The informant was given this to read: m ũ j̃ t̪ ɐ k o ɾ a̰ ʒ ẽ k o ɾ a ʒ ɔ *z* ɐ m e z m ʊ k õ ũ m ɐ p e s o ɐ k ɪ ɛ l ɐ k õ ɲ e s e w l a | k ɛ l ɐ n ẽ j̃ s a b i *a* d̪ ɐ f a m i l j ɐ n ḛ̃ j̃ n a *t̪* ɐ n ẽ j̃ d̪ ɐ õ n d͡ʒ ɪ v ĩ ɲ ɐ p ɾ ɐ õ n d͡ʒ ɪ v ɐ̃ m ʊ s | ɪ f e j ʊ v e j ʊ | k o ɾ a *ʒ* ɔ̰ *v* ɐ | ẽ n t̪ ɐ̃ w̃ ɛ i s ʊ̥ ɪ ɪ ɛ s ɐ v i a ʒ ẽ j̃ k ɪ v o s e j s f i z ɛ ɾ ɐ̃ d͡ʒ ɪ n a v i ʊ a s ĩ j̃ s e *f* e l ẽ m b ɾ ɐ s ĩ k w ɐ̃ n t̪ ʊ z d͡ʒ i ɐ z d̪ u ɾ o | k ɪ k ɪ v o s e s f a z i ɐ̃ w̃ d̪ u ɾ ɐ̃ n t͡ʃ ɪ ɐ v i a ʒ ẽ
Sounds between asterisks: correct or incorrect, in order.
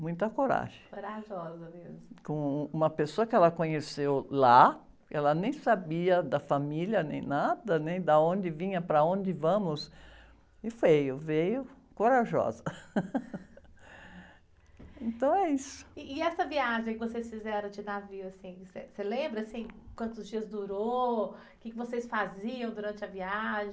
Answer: correct, incorrect, incorrect, correct, incorrect, incorrect

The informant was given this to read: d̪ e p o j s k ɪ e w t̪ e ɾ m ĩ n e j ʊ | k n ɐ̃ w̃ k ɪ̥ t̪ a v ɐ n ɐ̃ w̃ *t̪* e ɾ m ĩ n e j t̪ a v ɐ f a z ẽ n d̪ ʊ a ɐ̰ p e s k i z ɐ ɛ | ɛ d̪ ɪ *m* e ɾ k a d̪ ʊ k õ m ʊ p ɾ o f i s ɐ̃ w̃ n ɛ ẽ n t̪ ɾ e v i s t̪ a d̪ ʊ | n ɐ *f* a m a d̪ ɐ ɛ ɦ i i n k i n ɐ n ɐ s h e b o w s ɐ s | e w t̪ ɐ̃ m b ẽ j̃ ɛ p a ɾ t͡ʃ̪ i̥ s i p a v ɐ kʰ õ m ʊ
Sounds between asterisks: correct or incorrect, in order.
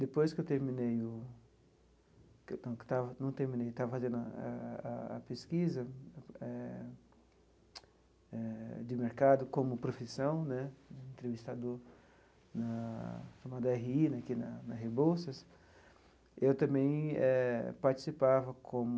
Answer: correct, correct, incorrect

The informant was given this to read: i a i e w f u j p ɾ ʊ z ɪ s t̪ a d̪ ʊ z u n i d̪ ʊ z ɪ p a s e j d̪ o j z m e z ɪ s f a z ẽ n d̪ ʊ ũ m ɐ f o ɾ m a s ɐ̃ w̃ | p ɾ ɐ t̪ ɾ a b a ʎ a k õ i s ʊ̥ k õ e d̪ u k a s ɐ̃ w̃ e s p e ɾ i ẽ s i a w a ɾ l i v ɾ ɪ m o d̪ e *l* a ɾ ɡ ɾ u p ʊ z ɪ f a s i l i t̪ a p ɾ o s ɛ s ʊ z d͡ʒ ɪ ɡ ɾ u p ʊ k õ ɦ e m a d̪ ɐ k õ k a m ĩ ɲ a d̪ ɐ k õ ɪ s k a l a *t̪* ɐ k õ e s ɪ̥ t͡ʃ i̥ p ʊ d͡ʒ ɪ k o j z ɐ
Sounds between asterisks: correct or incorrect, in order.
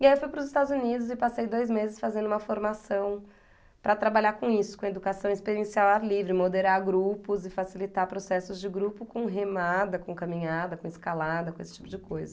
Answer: incorrect, incorrect

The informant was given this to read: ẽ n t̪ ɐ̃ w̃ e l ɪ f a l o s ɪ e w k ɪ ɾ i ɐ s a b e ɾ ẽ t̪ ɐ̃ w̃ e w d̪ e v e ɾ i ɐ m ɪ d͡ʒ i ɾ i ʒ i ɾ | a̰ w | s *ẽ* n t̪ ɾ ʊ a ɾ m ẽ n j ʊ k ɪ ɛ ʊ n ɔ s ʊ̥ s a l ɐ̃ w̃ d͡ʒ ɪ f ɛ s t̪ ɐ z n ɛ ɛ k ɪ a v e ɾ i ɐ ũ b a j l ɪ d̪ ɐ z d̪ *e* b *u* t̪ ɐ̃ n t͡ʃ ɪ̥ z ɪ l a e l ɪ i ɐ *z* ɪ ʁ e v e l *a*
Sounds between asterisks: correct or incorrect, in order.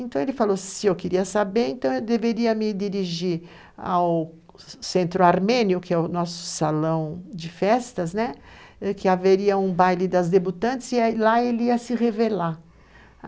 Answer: correct, correct, correct, incorrect, correct

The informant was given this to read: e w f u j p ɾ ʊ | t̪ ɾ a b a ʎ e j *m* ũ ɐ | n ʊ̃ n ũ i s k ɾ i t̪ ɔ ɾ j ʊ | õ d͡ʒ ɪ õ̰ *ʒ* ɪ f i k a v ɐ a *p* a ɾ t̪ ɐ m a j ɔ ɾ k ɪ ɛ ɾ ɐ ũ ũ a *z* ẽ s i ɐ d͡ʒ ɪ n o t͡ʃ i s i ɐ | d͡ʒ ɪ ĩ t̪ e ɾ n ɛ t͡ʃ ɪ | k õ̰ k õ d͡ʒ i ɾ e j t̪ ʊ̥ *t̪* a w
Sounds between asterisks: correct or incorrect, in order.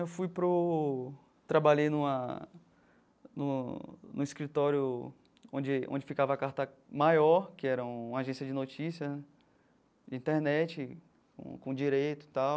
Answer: incorrect, incorrect, incorrect, incorrect, correct

